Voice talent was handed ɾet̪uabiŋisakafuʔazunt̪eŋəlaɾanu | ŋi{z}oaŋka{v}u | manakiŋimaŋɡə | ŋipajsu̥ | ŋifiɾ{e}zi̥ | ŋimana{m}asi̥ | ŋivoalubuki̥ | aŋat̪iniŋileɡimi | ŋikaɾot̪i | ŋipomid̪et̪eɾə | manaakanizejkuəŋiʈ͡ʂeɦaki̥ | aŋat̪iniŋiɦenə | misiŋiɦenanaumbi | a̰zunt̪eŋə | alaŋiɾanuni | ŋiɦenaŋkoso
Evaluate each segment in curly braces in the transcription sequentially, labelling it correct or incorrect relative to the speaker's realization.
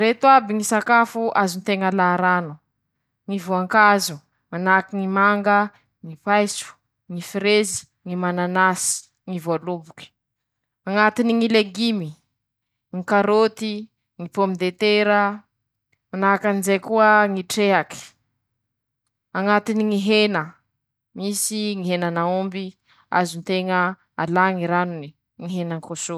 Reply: incorrect, incorrect, correct, incorrect

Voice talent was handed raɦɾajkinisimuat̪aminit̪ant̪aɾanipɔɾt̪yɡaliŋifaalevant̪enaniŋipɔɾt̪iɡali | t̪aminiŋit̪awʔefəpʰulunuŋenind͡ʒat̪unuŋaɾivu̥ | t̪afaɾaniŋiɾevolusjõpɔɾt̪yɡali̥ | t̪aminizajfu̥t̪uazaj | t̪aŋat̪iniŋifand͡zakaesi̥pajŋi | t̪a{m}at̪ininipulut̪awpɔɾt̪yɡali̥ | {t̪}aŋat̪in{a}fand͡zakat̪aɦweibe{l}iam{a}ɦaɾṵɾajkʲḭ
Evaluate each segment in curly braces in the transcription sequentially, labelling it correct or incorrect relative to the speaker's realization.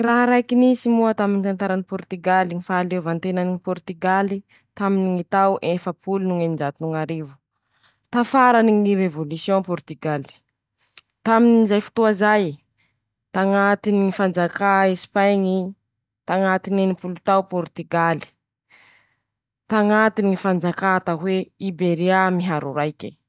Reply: incorrect, correct, incorrect, incorrect, incorrect

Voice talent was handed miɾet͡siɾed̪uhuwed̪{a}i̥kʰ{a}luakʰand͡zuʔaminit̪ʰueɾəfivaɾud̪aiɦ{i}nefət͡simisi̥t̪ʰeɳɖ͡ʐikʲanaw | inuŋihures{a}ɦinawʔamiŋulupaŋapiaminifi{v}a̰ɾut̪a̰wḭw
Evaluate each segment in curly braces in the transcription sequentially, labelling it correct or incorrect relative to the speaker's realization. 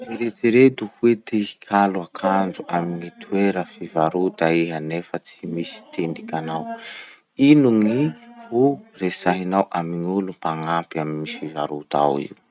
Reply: incorrect, correct, incorrect, correct, correct

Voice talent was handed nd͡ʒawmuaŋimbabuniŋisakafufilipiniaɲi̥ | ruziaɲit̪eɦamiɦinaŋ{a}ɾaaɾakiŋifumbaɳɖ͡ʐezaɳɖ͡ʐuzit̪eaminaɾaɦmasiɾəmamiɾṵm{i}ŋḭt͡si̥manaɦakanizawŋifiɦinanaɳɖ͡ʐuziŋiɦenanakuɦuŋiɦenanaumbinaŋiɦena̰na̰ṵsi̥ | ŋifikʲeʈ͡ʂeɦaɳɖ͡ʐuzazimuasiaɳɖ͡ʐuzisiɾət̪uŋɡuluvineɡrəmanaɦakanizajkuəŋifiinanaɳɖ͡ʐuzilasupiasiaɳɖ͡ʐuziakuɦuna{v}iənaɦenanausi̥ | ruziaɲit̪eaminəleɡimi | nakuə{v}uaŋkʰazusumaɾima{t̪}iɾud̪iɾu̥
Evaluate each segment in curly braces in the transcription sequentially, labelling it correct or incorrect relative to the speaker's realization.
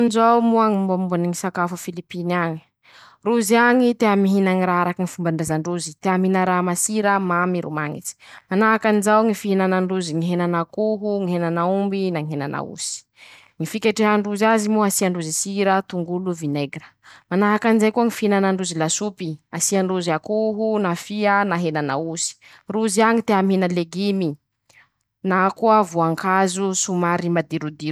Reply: incorrect, incorrect, incorrect, correct, incorrect

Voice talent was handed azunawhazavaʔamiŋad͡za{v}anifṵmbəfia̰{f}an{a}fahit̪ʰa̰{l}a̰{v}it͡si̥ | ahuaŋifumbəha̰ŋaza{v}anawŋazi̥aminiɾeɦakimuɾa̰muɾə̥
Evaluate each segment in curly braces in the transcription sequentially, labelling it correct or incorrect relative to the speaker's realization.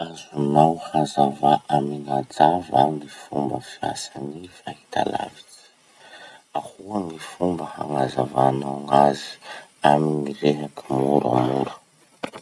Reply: correct, incorrect, incorrect, correct, correct, correct

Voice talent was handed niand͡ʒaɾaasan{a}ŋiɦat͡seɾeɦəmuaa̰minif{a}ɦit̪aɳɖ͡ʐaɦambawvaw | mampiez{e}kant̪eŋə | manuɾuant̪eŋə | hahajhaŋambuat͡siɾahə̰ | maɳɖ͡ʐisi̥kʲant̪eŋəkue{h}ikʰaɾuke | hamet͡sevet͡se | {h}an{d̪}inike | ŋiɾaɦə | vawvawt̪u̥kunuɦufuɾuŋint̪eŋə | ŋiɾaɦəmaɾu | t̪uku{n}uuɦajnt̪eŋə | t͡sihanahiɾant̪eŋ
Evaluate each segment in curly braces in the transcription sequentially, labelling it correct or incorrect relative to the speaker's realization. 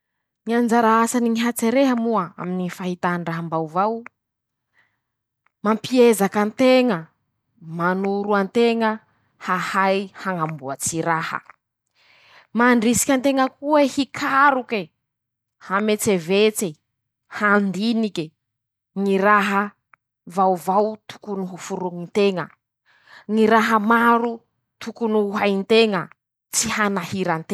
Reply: incorrect, correct, incorrect, correct, correct, correct, correct

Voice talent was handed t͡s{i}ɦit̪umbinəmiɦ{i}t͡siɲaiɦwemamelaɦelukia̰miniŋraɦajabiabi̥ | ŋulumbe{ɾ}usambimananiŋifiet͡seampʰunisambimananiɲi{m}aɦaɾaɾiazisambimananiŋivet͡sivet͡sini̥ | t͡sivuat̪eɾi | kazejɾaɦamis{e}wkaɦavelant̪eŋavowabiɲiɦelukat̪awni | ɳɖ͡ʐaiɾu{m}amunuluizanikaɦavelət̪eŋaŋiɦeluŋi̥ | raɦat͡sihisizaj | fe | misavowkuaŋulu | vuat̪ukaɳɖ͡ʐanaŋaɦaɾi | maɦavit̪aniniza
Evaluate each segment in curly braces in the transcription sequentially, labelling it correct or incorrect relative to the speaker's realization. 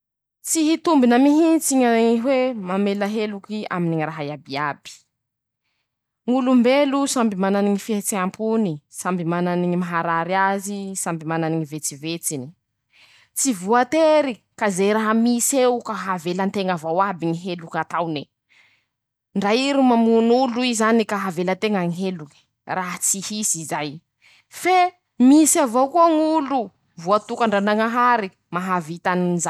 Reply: correct, correct, incorrect, correct, correct, correct

